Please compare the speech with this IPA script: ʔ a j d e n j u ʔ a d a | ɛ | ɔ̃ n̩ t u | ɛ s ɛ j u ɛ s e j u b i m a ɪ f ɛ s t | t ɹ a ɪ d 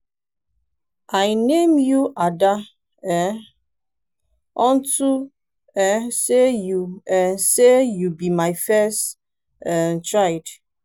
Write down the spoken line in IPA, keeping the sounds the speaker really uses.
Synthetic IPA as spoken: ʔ a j n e m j u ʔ a d a | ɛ | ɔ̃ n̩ t u | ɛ s e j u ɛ s e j u b i m a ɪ f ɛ s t | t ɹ a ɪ d

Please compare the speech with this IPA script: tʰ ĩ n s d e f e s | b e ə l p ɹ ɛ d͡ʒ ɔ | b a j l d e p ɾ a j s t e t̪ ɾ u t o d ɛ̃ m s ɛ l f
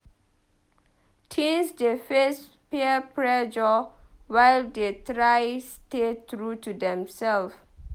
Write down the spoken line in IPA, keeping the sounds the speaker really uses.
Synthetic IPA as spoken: tʰ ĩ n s d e f e s | p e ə p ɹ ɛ d͡ʒ ɔ | w a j l d e t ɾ a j s t e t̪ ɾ u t u d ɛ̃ m s ɛ l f

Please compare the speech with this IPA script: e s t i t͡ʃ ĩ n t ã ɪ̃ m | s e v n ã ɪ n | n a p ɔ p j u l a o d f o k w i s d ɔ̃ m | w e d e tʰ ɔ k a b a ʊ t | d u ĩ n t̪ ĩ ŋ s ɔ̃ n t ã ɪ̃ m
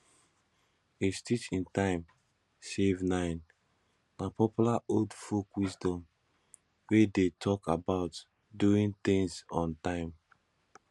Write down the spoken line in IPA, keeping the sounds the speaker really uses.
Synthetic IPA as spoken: e s t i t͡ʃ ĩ n t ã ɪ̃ m | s e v n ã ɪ n | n a p ɔ p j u l a o d f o k w i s d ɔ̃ m | w e d e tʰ ɔ k a b a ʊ t | d u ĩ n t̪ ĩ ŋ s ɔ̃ n t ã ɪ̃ m

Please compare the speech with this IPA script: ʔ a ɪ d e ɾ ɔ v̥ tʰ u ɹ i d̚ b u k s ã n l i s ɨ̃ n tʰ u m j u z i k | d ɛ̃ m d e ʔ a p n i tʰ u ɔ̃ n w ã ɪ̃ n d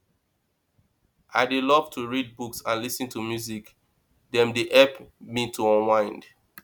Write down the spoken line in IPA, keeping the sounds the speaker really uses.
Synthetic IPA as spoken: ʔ a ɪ d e l ɔ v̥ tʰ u ɹ i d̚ b u k s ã n l i s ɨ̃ n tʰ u m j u z i k | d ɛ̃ m d e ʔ ɛ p m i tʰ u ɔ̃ n w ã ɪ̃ n d

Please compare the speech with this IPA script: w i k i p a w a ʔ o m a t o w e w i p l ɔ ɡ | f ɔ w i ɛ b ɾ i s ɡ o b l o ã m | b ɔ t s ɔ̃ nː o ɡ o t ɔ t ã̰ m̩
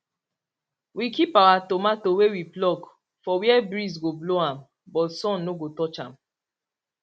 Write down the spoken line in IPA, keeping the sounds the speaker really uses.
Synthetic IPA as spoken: w i k i p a w a t o m a t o w e w i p l ɔ ɡ | f ɔ w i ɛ b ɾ i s ɡ o b l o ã m | b ɔ t s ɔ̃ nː o ɡ o t ɔ t͡ʃ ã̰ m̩

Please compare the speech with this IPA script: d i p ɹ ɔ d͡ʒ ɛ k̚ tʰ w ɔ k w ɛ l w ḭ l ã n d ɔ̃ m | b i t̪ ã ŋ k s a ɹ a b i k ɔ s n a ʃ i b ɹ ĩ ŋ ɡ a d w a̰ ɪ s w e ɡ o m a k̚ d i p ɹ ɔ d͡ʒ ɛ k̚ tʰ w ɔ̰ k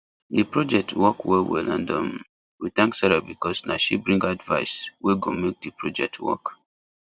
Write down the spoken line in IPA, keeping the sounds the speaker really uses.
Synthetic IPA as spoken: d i p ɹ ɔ d͡ʒ ɛ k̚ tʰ w ɔ k w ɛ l w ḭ l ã n d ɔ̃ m | w i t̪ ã ŋ k s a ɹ a b i k ɔ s n a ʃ i b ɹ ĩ ŋ ɡ a d v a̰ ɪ s w e ɡ o m e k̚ d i p ɹ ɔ d͡ʒ ɛ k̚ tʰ w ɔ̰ k

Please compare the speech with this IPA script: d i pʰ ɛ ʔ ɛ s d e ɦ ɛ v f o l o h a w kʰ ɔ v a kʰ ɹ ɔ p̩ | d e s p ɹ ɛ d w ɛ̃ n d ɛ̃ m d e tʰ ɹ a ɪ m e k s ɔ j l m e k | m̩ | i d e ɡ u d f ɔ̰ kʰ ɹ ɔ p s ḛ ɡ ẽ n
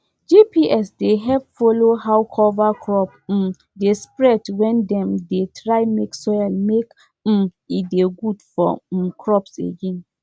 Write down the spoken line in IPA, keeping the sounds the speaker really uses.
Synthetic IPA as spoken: d͡ʒ i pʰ i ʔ ɛ s d e ɦ ɛ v f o l o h a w kʰ ɔ v a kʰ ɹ ɔ p̩ | d e s p ɹ ɛ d w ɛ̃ n d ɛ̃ m d e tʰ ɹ a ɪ m e k s ɔ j l m e k | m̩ | i d e ɡ u d f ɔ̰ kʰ ɹ ɔ p s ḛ ɡ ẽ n

